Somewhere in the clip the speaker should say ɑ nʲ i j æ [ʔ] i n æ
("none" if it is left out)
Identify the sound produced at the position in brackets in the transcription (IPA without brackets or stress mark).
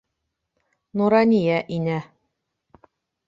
ʔ